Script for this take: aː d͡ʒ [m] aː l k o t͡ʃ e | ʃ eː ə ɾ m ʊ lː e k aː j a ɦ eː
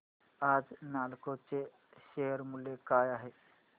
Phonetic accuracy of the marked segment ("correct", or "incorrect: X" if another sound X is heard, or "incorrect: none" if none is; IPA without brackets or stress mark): incorrect: n